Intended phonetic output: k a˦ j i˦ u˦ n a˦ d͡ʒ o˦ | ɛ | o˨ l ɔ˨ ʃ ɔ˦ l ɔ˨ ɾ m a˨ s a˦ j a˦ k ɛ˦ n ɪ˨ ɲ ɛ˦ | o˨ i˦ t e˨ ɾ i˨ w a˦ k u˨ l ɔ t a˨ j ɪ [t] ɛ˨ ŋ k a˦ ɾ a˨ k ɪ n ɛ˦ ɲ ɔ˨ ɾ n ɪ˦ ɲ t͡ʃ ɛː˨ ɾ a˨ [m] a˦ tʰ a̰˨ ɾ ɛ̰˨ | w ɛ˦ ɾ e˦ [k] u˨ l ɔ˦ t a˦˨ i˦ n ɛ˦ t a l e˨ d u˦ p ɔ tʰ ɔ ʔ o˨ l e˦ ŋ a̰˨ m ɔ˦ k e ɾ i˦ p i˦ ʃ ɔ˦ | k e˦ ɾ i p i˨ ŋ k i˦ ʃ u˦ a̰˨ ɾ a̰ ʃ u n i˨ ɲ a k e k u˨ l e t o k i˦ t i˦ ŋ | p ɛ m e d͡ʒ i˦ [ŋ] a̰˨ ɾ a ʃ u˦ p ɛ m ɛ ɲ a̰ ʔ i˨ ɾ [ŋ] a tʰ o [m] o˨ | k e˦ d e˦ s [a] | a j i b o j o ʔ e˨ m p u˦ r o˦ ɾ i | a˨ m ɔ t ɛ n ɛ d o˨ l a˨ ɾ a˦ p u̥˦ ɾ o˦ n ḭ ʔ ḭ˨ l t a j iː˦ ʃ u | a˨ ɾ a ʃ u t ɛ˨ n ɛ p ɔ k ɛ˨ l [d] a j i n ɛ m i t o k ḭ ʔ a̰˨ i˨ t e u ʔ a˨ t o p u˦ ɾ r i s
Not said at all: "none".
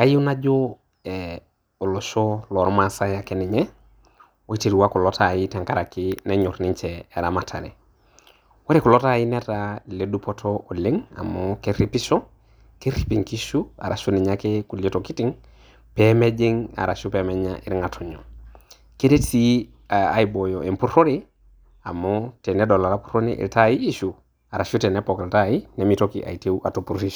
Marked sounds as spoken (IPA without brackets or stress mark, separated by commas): t, m, k, ŋ, ŋ, ɲ, i, t